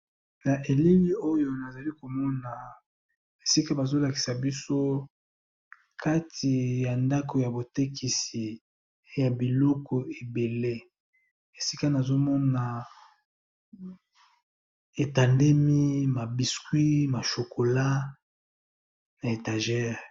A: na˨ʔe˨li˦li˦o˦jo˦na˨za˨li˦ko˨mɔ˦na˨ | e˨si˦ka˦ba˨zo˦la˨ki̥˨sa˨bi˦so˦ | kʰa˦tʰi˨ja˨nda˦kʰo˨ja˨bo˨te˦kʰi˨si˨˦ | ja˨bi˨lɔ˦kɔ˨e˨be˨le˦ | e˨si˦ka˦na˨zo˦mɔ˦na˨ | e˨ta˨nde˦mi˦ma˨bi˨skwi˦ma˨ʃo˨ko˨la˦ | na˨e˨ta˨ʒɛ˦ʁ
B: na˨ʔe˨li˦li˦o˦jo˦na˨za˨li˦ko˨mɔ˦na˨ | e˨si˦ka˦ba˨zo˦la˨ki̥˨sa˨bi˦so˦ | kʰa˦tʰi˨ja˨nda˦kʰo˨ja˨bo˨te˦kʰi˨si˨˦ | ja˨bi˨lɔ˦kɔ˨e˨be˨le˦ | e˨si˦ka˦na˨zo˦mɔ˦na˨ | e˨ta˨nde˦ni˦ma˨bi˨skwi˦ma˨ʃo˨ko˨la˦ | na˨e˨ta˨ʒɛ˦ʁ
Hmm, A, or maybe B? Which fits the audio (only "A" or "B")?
A